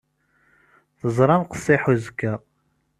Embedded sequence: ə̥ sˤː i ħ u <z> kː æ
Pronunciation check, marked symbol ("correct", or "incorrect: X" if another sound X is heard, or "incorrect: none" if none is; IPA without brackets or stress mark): correct